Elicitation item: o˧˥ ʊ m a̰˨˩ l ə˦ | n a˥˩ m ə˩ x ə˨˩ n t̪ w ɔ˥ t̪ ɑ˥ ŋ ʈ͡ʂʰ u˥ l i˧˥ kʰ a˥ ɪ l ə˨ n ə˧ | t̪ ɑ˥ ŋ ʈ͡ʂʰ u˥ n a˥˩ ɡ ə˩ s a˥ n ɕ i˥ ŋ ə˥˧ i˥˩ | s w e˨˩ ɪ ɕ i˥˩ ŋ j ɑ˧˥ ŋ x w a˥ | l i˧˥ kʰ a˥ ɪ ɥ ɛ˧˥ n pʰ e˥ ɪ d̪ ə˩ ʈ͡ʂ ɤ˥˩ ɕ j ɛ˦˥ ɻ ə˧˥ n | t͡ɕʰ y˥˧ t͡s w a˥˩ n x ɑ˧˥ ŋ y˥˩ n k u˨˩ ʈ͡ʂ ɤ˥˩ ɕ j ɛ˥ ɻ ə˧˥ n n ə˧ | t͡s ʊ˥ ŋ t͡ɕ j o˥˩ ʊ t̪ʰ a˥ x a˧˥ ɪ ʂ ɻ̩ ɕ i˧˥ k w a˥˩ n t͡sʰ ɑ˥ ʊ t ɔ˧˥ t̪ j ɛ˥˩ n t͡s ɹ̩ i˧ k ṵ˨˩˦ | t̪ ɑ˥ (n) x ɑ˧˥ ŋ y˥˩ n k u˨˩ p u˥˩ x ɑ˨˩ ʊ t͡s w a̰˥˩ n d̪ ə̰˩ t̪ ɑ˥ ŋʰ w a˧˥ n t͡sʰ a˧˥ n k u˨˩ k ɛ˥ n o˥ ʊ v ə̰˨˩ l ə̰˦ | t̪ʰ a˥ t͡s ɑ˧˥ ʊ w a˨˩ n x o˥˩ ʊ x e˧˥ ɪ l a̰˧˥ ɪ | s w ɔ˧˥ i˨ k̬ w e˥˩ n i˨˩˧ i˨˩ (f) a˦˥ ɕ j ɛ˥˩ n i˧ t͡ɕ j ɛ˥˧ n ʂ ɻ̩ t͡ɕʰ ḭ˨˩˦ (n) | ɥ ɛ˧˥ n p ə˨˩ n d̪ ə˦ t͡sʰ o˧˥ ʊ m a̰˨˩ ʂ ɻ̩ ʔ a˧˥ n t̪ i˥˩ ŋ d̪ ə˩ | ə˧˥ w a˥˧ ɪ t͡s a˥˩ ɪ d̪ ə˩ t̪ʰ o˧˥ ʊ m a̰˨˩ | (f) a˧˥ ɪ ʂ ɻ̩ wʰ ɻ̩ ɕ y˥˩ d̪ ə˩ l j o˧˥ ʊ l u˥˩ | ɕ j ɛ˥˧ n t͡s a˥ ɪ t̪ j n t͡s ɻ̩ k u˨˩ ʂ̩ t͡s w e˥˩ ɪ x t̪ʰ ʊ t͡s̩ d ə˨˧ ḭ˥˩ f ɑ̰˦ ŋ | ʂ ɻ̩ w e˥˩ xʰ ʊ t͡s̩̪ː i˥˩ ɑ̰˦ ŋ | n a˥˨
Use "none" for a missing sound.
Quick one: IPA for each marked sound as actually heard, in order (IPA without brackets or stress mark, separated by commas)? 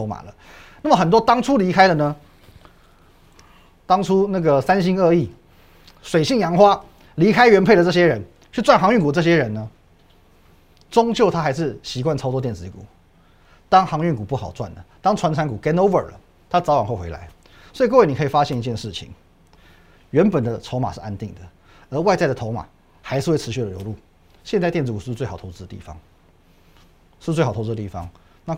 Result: ŋ, f, ŋ, x